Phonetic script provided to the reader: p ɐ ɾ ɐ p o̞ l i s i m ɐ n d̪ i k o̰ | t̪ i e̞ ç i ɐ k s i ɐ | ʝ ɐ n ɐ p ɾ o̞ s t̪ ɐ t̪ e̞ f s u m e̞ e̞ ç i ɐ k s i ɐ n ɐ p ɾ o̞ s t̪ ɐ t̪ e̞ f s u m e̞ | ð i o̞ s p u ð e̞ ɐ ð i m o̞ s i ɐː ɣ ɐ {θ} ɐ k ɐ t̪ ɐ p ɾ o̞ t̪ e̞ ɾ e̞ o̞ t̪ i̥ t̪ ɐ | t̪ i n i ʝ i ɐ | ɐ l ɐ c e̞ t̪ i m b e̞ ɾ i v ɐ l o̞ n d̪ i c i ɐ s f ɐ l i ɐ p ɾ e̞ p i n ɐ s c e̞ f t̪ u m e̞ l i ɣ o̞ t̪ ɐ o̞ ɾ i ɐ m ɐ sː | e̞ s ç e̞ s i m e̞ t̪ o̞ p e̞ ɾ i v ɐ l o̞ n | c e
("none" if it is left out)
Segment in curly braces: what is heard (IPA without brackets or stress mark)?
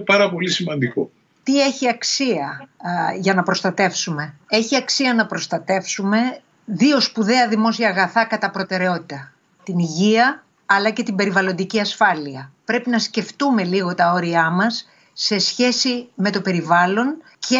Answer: θ